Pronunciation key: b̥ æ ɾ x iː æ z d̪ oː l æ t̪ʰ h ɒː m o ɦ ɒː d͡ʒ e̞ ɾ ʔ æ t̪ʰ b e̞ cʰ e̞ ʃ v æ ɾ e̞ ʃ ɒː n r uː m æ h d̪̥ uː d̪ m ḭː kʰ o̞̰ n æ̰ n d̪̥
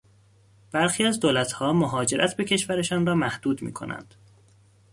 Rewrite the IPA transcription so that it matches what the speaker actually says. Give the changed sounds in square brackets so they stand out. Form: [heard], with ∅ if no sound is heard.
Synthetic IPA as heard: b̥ æ ɾ x iː æ z d̪ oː l æ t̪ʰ h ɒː m o ɦ ɒː d͡ʒ e̞ ɾ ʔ æ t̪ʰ b e̞ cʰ e̞ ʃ v æ ɾ e̞ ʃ ɒː n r [ɒː] m æ h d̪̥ uː d̪ m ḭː kʰ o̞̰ n æ̰ n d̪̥